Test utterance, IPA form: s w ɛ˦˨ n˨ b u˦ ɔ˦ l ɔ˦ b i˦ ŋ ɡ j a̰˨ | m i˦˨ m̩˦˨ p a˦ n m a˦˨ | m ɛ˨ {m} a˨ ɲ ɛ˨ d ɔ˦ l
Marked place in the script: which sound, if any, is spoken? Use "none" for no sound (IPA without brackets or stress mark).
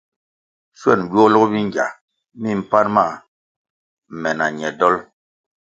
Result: n